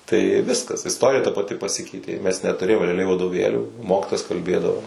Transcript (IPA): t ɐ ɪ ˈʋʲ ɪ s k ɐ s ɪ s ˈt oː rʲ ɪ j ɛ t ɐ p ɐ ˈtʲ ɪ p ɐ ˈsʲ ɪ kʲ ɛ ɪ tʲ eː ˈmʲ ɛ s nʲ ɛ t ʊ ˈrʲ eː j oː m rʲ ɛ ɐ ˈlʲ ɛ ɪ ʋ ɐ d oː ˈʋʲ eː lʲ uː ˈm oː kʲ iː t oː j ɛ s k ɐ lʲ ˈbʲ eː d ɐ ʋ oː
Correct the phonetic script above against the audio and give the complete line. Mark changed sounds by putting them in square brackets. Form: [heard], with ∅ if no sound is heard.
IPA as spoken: t ɐ ɪ ˈʋʲ ɪ s k ɐ s ɪ s ˈt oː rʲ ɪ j ɛ t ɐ p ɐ ˈtʲ ɪ p ɐ ˈsʲ ɪ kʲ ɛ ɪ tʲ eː ˈmʲ ɛ s nʲ ɛ t ʊ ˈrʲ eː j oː m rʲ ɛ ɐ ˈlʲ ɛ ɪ ʋ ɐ d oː ˈʋʲ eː lʲ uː ˈm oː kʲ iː t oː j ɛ s k ɐ lʲ ˈbʲ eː d ɐ ʋ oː